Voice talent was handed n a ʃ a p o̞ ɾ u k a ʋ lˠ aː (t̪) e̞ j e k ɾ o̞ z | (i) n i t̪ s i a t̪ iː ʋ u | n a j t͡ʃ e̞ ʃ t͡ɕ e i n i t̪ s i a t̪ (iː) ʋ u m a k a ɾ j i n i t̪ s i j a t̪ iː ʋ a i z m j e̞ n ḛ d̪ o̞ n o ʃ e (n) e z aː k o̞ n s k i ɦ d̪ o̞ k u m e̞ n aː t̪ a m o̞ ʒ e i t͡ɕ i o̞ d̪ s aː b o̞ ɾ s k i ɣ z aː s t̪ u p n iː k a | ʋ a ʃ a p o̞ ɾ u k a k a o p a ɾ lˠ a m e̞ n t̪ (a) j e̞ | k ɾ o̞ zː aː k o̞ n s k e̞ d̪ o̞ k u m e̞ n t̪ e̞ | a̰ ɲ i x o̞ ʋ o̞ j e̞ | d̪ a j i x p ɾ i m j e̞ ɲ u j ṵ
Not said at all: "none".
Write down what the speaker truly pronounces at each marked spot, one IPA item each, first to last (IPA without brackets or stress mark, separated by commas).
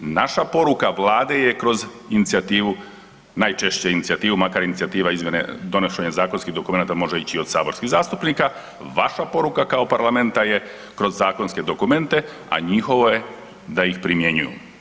d̪, i, iː, ɲ, a